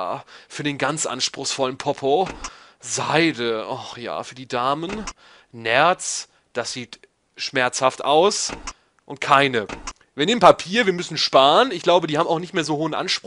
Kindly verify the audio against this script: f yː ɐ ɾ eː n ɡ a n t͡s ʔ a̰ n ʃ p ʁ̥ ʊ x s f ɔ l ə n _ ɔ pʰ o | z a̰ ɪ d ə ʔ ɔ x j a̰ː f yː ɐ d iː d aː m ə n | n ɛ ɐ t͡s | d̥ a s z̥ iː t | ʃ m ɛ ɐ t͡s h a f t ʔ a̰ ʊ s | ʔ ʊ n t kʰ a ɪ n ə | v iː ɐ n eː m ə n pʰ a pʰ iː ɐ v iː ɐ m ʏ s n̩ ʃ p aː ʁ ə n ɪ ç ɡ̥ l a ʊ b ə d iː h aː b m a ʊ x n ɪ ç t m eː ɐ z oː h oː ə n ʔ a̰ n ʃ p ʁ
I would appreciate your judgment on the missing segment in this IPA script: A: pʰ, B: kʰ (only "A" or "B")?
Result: A